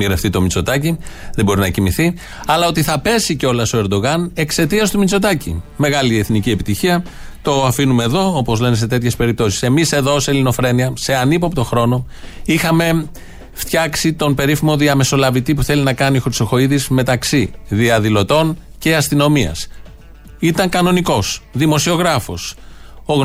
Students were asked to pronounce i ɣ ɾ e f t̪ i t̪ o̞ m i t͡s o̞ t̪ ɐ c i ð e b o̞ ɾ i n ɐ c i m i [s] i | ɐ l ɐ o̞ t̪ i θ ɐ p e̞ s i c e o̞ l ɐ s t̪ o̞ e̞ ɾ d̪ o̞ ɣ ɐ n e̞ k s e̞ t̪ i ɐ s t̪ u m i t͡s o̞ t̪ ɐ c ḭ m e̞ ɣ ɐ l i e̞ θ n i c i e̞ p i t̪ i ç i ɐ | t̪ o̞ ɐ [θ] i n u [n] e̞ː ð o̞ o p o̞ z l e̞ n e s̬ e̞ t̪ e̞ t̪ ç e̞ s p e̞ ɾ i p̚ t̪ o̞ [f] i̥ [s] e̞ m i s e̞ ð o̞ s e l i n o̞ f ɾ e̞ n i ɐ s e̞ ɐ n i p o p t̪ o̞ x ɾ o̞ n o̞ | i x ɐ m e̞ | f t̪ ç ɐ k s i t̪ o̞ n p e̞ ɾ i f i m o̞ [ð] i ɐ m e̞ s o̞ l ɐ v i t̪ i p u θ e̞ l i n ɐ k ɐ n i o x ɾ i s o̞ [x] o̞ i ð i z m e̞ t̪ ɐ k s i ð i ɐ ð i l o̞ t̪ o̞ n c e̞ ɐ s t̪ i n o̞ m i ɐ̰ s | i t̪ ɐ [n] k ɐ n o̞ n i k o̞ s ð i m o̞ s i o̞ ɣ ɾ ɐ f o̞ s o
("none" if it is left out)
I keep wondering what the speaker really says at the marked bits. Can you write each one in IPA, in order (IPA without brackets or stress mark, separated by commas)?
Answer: θ, f, m, s, s, ð, x, ŋ